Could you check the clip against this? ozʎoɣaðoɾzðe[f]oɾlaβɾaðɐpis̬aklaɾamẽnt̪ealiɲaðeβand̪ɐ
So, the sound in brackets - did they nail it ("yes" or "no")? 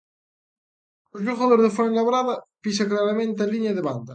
yes